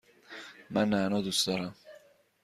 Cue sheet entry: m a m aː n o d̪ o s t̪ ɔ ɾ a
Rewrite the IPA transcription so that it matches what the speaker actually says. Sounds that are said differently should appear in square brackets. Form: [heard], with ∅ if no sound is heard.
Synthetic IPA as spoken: m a [n] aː n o d̪ [u] s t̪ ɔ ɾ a